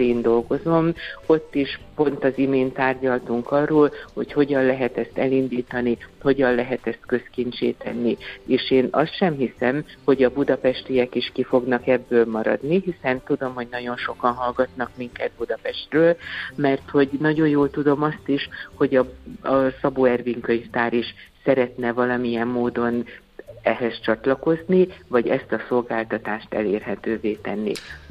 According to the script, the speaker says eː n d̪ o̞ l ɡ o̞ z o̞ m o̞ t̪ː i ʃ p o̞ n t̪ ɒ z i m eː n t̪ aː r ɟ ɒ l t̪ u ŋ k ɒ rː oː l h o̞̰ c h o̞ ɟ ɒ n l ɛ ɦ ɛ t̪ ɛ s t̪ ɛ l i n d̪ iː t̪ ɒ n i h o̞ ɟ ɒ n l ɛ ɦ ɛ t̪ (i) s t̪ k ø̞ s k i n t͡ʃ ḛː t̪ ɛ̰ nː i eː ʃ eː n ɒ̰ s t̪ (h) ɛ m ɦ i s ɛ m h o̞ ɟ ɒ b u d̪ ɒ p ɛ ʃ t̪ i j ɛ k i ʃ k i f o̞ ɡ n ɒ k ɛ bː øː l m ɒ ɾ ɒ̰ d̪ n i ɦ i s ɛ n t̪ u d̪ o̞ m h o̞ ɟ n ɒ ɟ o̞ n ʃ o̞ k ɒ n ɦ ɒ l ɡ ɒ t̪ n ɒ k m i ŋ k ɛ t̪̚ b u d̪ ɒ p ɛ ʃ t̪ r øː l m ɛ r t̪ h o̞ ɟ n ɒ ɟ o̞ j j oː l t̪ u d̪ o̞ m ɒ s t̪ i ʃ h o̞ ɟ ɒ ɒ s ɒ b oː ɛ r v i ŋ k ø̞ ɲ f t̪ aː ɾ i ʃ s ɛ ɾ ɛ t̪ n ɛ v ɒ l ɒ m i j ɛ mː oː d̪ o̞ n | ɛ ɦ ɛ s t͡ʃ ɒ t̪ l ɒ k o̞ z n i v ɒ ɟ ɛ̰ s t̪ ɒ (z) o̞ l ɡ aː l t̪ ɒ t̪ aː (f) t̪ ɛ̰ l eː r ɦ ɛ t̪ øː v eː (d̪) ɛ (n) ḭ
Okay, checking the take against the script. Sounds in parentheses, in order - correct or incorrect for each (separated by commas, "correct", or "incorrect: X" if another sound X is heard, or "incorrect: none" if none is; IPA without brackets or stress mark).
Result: incorrect: ɛ, incorrect: ʃ, incorrect: s, incorrect: ʃ, incorrect: t̪, incorrect: nː